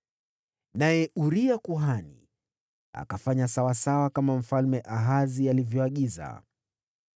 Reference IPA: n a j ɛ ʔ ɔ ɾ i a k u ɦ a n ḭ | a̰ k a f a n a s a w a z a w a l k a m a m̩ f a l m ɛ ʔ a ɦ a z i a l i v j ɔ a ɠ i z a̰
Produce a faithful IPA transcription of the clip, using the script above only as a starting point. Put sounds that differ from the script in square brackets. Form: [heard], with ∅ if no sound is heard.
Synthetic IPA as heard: n a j ɛ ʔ [u] ɾ i a k u ɦ a n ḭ | a̰ k a f a [ɲ] a s a w a [s] a w a [∅] k a m a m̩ f a l m ɛ ʔ a ɦ a z i a l i v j ɔ a ɠ i z a̰